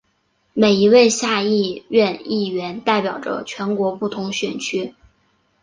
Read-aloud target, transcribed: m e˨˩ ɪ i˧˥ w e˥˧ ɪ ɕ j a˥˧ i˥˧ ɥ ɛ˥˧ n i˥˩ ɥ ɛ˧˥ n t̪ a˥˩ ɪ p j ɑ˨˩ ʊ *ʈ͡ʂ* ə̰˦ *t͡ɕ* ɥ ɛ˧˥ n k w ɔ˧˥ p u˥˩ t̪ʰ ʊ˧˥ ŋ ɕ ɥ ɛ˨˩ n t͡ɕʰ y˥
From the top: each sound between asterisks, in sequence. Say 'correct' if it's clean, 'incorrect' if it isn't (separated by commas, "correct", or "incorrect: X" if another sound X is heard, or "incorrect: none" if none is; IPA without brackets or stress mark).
correct, incorrect: t͡ɕʰ